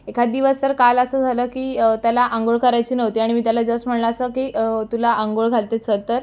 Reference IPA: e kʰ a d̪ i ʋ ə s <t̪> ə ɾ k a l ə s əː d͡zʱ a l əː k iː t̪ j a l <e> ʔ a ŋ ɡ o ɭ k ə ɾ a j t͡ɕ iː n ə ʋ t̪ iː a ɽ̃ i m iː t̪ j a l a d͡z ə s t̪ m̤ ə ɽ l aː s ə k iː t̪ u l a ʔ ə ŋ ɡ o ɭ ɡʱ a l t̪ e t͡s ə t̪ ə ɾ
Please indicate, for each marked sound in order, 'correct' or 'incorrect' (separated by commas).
correct, incorrect